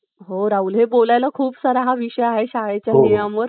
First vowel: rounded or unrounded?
rounded